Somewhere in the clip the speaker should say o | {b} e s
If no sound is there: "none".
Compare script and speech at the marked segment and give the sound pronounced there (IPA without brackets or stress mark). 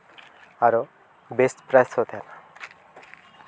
b